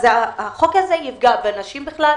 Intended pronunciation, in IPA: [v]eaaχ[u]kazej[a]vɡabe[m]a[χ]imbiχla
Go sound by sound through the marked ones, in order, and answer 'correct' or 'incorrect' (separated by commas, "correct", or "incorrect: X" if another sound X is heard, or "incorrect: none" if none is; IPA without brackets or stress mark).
incorrect: z, incorrect: o, incorrect: i, incorrect: n, incorrect: ʃ